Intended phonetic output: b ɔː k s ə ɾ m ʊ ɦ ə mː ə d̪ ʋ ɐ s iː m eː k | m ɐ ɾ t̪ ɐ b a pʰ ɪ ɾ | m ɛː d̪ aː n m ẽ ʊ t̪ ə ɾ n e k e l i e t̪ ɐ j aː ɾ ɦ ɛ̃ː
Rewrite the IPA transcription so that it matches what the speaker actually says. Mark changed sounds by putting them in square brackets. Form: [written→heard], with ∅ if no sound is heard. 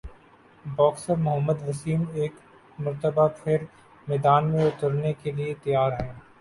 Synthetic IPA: b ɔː k s ə ɾ m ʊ ɦ ə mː ə d̪ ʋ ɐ s iː m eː k | m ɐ ɾ t̪ [ɐ→ə] b a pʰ ɪ ɾ | m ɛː d̪ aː n m ẽ ʊ t̪ ə ɾ n e k e l i e t̪ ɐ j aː ɾ ɦ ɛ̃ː